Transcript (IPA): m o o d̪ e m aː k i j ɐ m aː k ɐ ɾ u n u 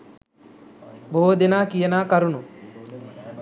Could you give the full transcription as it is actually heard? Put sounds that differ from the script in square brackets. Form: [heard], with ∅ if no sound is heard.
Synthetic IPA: [b] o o d̪ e [n] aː k i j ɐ [n] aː k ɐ ɾ u n u